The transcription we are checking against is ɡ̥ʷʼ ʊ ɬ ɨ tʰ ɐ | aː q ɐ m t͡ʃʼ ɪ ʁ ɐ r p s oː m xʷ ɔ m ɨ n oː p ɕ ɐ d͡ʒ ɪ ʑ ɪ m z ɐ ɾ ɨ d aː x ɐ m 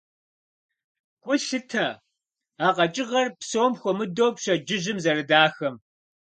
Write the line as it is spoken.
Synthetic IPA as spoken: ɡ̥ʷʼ ʊ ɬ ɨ tʰ ɐ | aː q ɐ t͡ʃʼ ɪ ʁ ɐ r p s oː m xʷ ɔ m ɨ d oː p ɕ ɐ d͡ʒ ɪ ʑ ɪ m z ɐ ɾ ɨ d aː x ɐ m